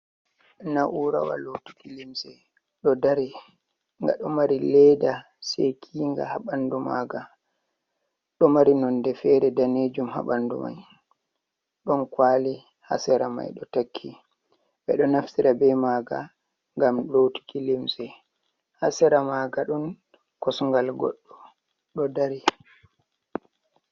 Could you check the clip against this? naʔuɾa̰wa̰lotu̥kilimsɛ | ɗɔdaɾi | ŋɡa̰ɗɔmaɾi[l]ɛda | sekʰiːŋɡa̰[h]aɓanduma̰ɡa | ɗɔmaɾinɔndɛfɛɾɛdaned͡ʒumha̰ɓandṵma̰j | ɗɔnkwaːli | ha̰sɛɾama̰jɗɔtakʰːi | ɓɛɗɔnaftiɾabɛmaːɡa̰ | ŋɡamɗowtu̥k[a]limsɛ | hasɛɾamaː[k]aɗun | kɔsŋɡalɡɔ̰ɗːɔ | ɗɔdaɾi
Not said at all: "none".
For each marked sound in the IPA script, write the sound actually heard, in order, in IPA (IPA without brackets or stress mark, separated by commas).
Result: l, h, i, ɡ